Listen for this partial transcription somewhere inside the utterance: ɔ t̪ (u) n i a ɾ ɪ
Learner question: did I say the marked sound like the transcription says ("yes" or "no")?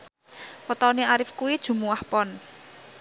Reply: no